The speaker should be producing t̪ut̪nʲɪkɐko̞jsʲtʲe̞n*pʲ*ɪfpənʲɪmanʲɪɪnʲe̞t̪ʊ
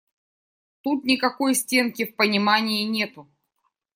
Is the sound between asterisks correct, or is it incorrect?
incorrect